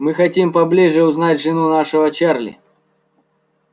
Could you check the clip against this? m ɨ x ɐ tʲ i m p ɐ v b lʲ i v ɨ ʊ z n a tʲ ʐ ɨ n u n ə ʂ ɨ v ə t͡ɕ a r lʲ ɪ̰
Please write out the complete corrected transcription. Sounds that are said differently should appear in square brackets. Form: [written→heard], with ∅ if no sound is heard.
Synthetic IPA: m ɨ x ɐ tʲ i m p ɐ [v→∅] b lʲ i [v→ʐ] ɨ ʊ z n a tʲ ʐ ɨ n u n [ə→a] ʂ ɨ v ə t͡ɕ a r lʲ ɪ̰